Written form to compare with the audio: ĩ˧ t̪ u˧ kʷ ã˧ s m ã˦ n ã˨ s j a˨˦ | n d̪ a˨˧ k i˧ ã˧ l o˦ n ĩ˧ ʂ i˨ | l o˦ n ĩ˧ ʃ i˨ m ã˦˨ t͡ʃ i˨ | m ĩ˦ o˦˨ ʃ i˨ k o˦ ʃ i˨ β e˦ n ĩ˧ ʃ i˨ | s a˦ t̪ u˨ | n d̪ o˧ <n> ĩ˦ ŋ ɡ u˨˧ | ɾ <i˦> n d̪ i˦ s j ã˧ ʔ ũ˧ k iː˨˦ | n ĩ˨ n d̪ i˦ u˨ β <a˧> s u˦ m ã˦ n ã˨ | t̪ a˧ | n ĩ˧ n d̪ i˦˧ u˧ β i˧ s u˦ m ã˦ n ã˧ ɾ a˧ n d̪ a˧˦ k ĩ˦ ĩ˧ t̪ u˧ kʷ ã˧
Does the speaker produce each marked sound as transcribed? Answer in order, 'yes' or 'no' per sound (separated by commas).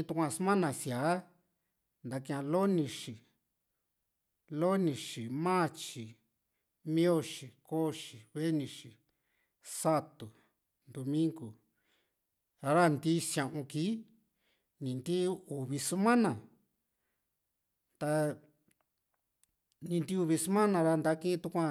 no, no, no